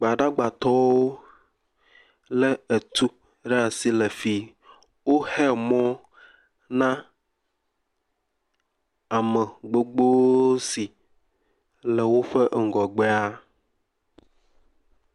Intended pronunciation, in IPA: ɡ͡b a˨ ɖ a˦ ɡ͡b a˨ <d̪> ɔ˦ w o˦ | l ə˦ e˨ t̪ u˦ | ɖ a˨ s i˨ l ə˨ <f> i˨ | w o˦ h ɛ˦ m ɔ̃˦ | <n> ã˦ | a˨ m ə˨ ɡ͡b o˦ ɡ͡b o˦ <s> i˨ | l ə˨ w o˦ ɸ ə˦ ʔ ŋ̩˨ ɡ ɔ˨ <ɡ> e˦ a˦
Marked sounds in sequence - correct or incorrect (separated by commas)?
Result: incorrect, correct, correct, correct, incorrect